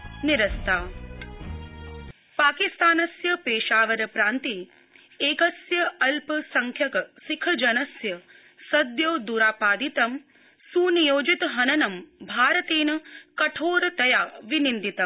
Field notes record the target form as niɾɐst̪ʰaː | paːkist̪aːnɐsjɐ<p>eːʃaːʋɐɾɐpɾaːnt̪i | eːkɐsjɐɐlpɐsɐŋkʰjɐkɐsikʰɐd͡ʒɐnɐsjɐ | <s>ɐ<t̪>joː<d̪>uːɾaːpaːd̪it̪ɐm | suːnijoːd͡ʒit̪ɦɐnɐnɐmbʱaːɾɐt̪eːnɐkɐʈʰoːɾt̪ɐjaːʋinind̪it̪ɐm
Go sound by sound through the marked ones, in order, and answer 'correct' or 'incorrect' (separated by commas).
correct, correct, incorrect, correct